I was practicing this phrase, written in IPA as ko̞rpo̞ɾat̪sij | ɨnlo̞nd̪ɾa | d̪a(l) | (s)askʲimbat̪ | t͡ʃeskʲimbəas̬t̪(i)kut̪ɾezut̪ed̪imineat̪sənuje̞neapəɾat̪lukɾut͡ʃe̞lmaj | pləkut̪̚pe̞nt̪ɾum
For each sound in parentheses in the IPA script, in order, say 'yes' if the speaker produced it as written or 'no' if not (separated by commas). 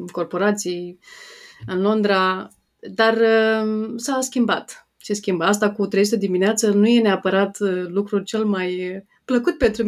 no, yes, no